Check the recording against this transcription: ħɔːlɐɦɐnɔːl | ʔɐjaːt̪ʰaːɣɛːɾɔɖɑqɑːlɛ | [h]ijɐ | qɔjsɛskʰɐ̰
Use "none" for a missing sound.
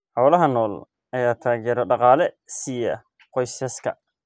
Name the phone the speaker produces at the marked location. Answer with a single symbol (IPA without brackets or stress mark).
s